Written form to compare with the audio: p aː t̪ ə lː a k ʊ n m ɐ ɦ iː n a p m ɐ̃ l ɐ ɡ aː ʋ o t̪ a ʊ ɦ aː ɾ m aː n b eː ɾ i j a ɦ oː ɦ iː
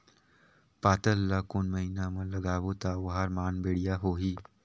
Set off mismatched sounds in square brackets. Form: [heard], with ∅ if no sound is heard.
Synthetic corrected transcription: p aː t̪ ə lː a k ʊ n m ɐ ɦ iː n a [∅] m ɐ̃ l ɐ ɡ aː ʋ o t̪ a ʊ ɦ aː ɾ m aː n b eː [ɽ] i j a ɦ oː ɦ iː

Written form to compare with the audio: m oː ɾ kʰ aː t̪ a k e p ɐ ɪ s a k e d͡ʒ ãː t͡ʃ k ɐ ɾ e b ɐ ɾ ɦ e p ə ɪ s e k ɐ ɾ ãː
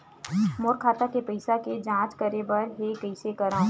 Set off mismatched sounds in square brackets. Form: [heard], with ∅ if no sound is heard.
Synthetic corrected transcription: m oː ɾ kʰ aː t̪ a k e p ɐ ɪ s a k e d͡ʒ ãː t͡ʃ k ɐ ɾ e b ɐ ɾ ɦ e [k] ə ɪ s e k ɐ ɾ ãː

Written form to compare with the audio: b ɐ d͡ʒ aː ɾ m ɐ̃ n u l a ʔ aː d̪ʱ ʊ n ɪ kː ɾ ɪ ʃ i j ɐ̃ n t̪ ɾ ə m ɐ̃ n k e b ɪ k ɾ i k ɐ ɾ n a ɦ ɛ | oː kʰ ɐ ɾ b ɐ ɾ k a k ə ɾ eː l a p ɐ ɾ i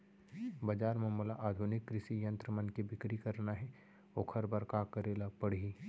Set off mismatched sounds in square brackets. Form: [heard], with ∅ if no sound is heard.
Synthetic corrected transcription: b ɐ d͡ʒ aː ɾ m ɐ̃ [m] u l a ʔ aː d̪ʱ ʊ n ɪ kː ɾ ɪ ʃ i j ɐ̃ n t̪ ɾ ə m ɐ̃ n k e b ɪ k ɾ i k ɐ ɾ n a ɦ ɛ | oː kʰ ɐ ɾ b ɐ ɾ k a k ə ɾ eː l a p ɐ [ɽ] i

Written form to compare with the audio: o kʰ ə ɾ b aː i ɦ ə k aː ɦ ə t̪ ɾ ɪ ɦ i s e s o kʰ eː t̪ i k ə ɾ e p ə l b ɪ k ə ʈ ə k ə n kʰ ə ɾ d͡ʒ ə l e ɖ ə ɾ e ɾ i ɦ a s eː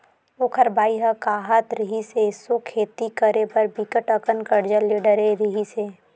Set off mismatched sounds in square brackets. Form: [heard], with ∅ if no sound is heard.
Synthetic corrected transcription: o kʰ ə ɾ b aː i ɦ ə k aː ɦ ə t̪ ɾ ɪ ɦ i s e s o kʰ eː t̪ i k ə ɾ e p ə [ɾ] b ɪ k ə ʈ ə k ə n [k] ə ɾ d͡ʒ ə l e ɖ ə ɾ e ɾ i ɦ [i] s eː

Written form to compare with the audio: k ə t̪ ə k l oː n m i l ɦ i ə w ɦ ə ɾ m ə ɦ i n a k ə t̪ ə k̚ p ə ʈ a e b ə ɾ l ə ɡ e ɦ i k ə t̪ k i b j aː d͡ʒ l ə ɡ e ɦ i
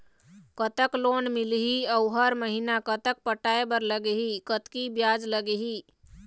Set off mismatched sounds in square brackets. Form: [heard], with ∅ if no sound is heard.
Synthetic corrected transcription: k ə t̪ ə k l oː n m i l ɦ i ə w ɦ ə ɾ m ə ɦ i n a k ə t̪ ə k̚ p ə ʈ a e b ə ɾ l ə ɡ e ɦ i k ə t̪ k i b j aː d͡ʒ l ə ɡ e ɦ i

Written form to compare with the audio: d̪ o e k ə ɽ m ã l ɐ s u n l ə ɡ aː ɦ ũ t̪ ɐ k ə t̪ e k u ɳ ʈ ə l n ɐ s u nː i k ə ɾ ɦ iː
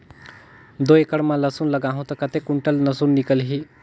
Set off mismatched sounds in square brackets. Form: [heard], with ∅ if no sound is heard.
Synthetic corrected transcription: d̪ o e k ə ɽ m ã l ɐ s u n l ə ɡ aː ɦ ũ t̪ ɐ k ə t̪ e k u ɳ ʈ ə l n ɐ s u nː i k ə [l] ɦ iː

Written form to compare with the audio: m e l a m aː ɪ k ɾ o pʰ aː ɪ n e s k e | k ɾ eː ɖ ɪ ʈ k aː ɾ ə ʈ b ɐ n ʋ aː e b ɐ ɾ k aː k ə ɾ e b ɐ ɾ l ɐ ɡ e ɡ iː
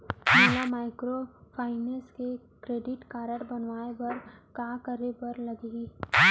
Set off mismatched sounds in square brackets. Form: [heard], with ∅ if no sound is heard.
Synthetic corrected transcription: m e l a m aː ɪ k ɾ o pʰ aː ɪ n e s k e | k ɾ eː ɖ ɪ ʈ k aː ɾ ə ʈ b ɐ n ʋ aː e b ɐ ɾ k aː k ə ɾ e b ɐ ɾ l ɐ ɡ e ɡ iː

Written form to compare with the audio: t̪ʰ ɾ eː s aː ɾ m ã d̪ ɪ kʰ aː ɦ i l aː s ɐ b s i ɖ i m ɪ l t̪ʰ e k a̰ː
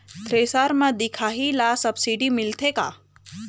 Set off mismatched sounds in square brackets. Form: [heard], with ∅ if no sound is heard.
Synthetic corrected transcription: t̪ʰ ɾ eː s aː ɾ m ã d̪ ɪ kʰ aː ɦ i l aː s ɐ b s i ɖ i m ɪ l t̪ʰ e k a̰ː

